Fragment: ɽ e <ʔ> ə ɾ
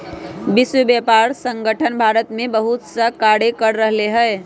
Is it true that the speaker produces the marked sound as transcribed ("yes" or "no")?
no